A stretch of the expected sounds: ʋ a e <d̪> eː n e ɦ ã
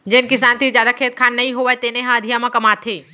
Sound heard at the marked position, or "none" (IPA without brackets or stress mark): t̪